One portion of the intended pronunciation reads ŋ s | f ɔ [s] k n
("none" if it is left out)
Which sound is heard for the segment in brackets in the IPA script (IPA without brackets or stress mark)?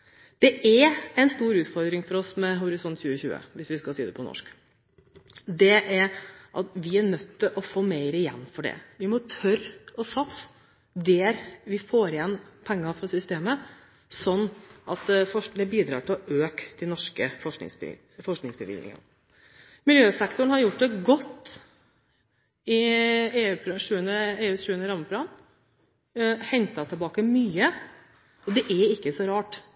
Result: ʂ